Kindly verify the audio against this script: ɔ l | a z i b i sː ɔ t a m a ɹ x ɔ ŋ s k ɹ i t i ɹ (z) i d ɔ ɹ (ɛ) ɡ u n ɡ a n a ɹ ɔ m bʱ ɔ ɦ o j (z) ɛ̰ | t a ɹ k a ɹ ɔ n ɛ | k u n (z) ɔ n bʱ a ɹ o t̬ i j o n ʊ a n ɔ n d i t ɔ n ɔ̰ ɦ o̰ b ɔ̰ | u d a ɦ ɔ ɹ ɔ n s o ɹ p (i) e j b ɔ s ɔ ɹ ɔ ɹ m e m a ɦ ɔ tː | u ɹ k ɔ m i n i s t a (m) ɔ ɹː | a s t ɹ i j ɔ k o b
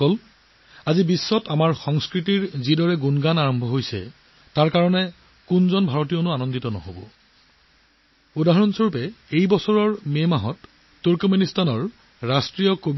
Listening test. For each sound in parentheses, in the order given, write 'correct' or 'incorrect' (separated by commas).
correct, correct, incorrect, correct, incorrect, incorrect